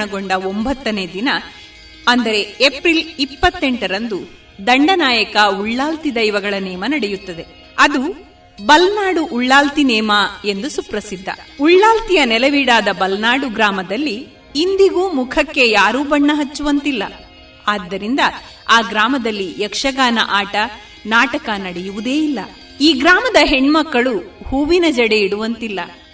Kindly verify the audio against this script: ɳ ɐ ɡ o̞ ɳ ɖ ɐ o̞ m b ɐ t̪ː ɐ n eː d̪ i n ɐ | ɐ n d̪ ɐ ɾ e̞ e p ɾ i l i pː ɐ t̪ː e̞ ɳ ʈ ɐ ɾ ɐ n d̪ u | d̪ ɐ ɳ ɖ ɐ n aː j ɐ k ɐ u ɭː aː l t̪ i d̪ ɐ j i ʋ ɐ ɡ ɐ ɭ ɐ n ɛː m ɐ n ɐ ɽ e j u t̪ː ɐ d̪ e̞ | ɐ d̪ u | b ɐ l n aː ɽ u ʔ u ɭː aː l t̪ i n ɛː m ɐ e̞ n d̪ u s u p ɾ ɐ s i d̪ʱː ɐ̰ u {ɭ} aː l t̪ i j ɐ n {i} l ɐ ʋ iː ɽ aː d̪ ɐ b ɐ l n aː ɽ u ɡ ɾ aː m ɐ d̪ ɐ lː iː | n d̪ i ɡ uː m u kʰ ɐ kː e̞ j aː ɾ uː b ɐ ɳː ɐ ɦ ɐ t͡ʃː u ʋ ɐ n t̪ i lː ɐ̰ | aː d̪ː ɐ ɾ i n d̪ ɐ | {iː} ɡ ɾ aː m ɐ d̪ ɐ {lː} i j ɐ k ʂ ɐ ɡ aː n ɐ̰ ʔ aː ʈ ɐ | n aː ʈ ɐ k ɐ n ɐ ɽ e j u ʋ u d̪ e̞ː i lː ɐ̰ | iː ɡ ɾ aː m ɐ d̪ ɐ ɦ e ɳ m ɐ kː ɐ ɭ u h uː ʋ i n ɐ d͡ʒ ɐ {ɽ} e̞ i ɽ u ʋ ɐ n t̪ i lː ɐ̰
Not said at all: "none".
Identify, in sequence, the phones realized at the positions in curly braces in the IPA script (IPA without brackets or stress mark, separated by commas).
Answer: ɭː, ɛ, aː, lː, ɽ